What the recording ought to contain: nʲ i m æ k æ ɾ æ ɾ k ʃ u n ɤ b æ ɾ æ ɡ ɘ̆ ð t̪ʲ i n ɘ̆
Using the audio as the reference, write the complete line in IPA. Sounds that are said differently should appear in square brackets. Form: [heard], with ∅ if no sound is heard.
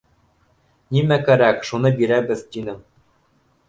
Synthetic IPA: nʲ i m æ k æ ɾ æ [∅] k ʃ u n ɤ b [i] ɾ æ [b] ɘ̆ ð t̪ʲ i n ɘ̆